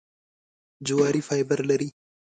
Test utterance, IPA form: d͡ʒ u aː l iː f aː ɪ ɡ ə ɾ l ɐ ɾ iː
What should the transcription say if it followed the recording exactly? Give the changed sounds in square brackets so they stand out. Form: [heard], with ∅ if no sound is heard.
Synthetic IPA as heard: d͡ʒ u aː [ɾ] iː f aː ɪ [b] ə ɾ l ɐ ɾ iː